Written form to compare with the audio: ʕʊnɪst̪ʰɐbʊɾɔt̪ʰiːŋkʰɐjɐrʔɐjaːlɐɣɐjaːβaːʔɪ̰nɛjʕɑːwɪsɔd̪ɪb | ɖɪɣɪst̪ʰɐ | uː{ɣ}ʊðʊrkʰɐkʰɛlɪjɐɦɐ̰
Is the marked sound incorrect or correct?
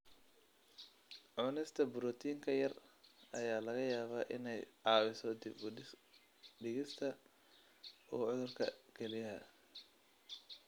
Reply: incorrect